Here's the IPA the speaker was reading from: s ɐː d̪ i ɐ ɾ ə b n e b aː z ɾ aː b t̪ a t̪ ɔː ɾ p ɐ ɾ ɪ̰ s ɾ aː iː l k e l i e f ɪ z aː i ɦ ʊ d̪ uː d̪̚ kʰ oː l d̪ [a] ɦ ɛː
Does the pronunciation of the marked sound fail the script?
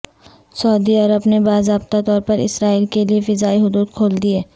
yes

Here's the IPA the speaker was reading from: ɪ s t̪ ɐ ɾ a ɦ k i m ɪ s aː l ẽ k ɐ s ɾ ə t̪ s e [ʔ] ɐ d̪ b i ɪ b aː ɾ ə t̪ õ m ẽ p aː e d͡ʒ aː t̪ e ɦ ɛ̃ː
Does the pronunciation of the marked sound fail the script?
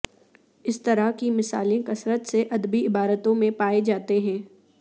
no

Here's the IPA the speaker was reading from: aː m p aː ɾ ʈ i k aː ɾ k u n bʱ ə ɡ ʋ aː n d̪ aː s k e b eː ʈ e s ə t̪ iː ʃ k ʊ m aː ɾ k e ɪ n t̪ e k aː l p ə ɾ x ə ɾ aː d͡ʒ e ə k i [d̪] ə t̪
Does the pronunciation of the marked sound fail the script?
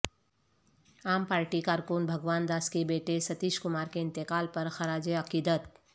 no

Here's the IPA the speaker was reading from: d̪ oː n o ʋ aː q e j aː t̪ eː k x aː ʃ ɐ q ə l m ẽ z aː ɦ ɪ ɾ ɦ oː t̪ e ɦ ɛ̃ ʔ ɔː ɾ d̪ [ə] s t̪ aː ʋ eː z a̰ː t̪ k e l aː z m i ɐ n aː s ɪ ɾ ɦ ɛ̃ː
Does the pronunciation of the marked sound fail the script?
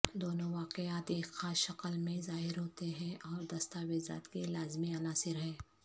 yes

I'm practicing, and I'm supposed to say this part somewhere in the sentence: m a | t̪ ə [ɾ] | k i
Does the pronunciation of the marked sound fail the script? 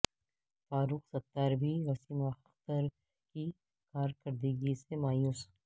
no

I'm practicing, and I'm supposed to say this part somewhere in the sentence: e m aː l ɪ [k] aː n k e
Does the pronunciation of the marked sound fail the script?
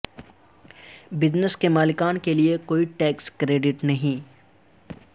no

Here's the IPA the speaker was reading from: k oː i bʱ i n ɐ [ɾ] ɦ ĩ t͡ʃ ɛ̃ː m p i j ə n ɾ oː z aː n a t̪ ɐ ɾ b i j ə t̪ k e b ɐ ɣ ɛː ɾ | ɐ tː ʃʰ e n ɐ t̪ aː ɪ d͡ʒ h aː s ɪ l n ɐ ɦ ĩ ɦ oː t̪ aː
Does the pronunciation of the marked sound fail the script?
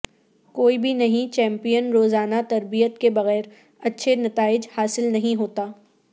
yes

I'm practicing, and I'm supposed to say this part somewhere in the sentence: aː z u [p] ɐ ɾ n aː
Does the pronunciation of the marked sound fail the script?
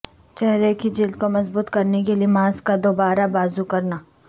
yes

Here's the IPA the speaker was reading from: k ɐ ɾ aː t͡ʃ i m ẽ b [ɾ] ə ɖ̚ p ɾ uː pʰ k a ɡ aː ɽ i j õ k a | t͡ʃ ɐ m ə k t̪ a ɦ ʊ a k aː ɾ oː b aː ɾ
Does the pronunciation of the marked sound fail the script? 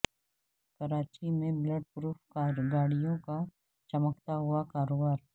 yes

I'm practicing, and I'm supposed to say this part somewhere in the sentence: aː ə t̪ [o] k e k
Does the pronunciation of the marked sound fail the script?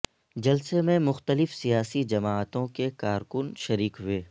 yes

